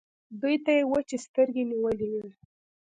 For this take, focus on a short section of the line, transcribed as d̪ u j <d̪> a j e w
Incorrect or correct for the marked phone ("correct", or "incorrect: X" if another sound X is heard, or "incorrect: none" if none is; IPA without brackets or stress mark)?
incorrect: t̪